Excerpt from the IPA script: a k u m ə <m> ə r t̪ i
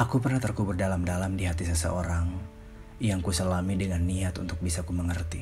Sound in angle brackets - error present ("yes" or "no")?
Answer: yes